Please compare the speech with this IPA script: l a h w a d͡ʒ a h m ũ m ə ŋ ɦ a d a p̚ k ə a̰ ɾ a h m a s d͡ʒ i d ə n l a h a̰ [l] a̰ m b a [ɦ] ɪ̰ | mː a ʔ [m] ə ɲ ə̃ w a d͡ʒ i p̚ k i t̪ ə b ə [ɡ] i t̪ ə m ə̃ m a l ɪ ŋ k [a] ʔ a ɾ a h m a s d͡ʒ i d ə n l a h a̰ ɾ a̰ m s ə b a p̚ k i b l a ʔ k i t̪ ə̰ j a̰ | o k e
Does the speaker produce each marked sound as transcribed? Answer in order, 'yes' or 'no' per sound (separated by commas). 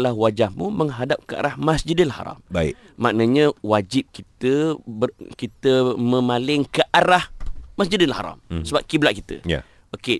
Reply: no, no, no, no, no